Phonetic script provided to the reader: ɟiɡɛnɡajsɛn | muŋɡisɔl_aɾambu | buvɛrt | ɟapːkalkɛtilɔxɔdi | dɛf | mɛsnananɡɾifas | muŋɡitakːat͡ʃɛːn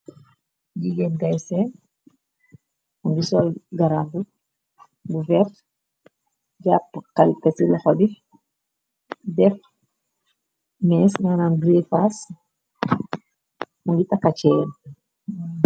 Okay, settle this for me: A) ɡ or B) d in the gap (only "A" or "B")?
A